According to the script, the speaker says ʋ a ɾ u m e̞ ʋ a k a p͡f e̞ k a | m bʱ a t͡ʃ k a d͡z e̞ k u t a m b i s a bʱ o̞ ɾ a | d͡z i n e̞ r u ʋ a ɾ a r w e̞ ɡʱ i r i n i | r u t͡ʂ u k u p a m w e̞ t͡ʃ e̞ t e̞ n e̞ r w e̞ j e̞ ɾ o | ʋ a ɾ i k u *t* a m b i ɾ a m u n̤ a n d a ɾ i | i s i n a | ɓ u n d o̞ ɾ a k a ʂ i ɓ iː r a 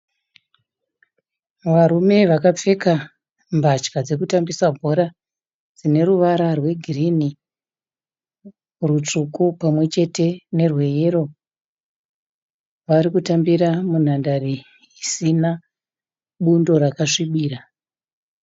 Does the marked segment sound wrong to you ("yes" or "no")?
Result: no